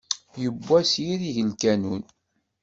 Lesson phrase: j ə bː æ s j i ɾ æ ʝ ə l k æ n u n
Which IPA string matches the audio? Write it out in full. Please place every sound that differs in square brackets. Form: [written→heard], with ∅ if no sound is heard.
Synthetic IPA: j ə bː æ s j i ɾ [æ→i] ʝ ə l k æ n u n